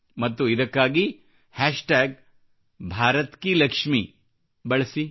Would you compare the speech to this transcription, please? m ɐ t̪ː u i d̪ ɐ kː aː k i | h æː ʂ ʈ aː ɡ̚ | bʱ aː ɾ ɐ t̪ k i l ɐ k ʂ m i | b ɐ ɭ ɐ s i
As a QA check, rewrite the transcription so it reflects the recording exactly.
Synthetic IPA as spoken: m ɐ t̪ː u i d̪ ɐ kː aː ɡ i | h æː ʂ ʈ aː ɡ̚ | bʱ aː ɾ ɐ t̪ k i l ɐ k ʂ m i | b ɐ ɭ ɐ s i